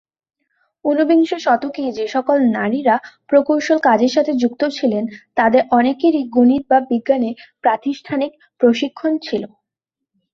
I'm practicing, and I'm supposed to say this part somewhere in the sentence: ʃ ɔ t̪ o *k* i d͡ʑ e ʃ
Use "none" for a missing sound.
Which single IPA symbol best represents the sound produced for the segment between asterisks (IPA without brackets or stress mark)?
k